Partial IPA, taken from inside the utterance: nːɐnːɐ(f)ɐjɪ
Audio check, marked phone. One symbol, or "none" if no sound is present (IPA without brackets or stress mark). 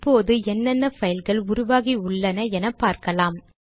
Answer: f